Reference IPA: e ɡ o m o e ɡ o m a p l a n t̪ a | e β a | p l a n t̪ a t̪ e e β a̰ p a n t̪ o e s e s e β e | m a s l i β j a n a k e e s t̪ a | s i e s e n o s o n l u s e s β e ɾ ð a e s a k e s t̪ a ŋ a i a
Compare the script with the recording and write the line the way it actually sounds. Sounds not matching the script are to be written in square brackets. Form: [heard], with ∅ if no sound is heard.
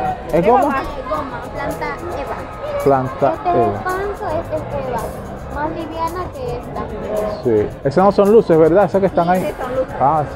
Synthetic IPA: e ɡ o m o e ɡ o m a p l a n t̪ a | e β a | p l a n t̪ a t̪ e e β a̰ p a n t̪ o e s e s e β [a] | m a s l i β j a n a k e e s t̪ a | s i e s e n o s o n l u s e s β e ɾ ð a e s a k e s t̪ a ŋ a i a